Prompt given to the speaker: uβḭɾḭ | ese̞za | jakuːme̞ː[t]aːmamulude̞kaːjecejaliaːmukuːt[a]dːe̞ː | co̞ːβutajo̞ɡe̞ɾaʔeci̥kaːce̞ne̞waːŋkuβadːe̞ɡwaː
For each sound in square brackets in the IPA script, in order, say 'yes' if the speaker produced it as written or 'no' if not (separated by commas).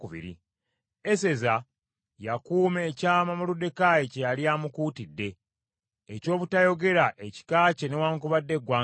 no, no